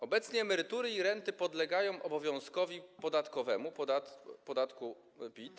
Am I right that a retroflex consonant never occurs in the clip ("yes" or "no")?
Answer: yes